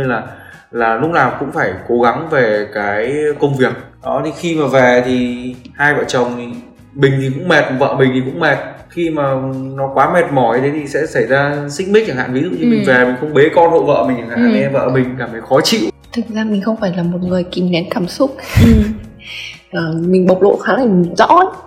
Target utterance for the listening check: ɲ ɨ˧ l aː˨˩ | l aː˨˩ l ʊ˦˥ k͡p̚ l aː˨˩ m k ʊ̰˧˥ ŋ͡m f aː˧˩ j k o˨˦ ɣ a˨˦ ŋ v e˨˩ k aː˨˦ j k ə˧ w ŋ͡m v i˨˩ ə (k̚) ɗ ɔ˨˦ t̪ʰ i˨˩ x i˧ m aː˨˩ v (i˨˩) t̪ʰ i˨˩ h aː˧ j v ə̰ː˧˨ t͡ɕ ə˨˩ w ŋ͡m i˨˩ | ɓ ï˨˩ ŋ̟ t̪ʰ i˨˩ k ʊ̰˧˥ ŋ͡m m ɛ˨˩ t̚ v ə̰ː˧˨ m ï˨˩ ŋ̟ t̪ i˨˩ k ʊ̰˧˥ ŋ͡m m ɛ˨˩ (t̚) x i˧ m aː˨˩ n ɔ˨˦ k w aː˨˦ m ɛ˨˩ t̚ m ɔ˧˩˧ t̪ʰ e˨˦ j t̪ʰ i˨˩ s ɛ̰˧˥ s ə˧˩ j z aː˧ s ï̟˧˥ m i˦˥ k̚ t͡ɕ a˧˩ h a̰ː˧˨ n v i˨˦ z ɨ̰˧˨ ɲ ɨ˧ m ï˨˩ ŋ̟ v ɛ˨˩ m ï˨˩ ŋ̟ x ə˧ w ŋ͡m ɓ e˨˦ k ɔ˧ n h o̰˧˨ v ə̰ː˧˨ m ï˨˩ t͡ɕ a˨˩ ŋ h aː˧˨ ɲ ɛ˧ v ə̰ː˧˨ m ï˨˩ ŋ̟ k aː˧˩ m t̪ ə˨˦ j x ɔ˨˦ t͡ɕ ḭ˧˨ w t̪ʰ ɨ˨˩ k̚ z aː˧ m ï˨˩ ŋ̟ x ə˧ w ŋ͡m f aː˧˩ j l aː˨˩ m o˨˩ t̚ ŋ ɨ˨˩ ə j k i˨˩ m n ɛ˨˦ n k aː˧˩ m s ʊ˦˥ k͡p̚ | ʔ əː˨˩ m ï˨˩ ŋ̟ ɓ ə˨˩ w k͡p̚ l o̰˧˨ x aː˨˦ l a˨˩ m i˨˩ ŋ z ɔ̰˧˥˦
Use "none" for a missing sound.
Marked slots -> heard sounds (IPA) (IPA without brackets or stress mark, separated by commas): k̚, ɛ˨˩, t̚